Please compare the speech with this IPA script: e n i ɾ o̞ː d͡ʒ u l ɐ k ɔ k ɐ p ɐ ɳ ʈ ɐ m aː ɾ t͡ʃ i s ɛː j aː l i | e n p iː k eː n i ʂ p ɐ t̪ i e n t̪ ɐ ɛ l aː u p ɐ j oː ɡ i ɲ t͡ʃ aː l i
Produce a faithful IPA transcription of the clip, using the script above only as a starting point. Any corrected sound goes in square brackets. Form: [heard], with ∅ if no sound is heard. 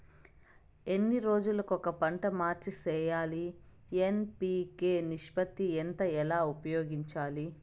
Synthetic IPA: e [nː] i ɾ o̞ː d͡ʒ u l ɐ k ɔ k ɐ p ɐ ɳ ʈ ɐ m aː ɾ t͡ʃ i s ɛː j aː l i | e n p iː k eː n i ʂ p ɐ t̪ i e n t̪ ɐ ɛ l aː u p ɐ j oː ɡ i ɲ t͡ʃ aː l i

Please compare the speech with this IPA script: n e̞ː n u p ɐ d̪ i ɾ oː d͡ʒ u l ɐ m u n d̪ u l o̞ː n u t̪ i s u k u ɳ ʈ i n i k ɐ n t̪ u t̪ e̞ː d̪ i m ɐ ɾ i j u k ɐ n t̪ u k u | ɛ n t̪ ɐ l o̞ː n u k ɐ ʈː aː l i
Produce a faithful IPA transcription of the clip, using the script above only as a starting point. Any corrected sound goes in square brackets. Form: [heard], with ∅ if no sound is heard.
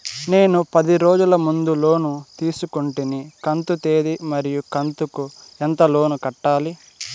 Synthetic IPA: n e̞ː n u p ɐ d̪ i ɾ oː d͡ʒ u l ɐ m u n d̪ u l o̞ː n u t̪ [iː] s u k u ɳ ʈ i n i k ɐ n t̪ u t̪ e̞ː d̪ i m ɐ ɾ i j u k ɐ n t̪ u k u | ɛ n t̪ ɐ l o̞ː n u k ɐ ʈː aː l i

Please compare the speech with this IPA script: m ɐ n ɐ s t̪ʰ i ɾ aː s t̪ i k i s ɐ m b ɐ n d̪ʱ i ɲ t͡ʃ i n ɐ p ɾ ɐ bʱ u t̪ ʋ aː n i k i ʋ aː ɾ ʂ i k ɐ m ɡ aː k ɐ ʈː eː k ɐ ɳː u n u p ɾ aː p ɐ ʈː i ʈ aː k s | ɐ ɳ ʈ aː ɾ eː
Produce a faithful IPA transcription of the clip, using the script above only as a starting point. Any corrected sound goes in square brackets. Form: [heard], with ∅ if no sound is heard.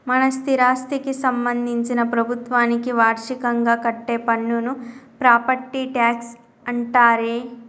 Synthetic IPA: m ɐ n ɐ s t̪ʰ i ɾ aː s t̪ i k i s ɐ m b ɐ n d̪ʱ i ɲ t͡ʃ i n ɐ p ɾ ɐ bʱ u t̪ ʋ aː n i k i ʋ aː ɾ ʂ i k ɐ [ŋ] ɡ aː k ɐ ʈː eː [p] ɐ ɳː u n u p ɾ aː p ɐ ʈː i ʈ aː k s | ɐ ɳ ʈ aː ɾ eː

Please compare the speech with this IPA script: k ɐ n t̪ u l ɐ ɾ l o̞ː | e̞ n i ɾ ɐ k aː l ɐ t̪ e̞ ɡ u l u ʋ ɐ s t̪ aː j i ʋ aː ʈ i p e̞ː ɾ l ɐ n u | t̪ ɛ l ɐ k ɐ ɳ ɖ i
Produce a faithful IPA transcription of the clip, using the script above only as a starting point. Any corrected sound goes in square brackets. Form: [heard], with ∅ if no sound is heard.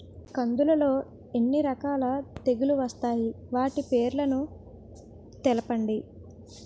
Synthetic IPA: k ɐ n [d̪] u l ɐ [∅] l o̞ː | e̞ [nː] i ɾ ɐ k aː l ɐ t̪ e̞ ɡ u l u ʋ ɐ s t̪ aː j i ʋ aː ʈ i p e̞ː ɾ l ɐ n u | t̪ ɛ l ɐ [p] ɐ ɳ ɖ i

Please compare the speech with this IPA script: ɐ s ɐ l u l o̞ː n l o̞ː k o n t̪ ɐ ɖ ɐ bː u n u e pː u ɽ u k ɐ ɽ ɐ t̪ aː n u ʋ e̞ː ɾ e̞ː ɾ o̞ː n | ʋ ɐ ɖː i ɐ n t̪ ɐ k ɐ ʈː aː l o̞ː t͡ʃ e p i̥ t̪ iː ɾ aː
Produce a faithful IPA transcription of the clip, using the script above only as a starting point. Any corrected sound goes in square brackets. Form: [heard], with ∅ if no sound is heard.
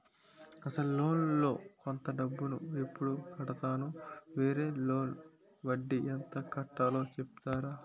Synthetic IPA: ɐ s ɐ l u l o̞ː n l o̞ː k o n t̪ ɐ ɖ ɐ bː u n u e pː u ɽ u k ɐ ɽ ɐ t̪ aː n u ʋ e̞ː ɾ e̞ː [l] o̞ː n | ʋ ɐ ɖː i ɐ n t̪ ɐ k ɐ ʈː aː l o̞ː t͡ʃ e p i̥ t̪ [aː] ɾ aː

